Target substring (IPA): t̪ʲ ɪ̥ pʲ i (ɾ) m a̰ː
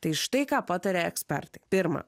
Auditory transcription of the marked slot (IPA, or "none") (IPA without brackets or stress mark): ɾ